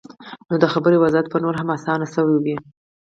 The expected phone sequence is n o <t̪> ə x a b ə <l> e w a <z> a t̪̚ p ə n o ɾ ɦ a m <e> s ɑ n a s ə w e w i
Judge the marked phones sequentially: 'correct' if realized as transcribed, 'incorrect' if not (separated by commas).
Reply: incorrect, incorrect, correct, incorrect